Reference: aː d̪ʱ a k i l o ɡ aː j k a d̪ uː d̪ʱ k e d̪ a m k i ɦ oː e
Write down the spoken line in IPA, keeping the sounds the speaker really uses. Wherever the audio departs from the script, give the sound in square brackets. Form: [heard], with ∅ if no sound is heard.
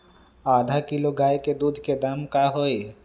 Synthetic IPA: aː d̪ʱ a k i l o ɡ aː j k [e] d̪ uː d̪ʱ k e d̪ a m k [a] ɦ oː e